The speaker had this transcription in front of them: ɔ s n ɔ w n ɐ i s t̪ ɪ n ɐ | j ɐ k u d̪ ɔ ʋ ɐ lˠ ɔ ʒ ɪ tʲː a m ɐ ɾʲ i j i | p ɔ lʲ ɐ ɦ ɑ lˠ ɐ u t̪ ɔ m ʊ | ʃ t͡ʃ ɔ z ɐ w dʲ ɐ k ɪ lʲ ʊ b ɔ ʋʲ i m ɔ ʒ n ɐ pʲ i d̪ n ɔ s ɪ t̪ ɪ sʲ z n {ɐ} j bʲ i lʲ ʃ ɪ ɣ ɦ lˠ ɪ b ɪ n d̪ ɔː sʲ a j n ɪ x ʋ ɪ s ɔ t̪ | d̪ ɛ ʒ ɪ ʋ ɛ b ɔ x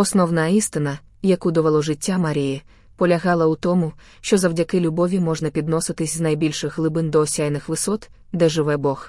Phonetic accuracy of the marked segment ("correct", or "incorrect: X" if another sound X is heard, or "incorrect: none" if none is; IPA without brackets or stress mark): correct